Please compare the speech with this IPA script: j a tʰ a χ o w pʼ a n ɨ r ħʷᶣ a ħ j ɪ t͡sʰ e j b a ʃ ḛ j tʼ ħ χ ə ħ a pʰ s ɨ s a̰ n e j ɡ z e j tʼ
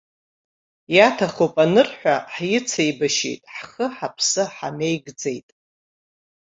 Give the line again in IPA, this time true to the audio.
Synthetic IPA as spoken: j a tʰ a χ o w pʼ a n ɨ r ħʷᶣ a ħ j ɪ t͡sʰ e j b a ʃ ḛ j tʼ ħ χ ə ħ a pʰ s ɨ ħ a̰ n e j ɡ d͡z e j tʼ